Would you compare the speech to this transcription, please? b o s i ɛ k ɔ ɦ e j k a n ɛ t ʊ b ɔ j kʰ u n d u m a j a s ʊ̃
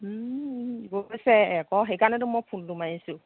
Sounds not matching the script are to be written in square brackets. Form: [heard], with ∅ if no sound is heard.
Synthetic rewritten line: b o s [ɛ] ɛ k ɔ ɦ e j k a n ɛ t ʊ [m] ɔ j [pʰ] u n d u m a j [i] s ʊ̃

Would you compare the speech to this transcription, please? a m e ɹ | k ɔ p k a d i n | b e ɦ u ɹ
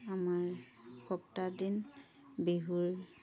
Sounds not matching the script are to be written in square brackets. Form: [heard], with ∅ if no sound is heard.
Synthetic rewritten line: a m [a] ɹ | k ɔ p [t] a d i n | b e ɦ u ɹ

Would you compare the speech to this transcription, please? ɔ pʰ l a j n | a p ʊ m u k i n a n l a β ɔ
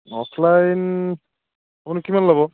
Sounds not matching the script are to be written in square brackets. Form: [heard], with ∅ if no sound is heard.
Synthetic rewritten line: ɔ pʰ l a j n | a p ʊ [n] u k i [m] a n l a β ɔ

